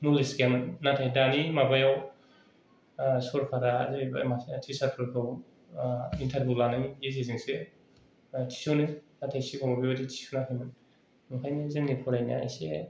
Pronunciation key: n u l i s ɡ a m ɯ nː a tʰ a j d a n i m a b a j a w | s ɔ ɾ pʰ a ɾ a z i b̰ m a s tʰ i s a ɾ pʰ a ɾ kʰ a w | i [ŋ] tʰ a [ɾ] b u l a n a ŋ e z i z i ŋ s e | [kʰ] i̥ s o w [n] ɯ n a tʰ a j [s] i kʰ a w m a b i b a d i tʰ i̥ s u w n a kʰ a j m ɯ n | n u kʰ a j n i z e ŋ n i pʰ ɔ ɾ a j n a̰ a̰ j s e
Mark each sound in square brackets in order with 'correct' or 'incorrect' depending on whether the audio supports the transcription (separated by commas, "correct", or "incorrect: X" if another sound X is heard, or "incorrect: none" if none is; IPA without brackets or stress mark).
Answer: incorrect: n, correct, incorrect: tʰ, correct, correct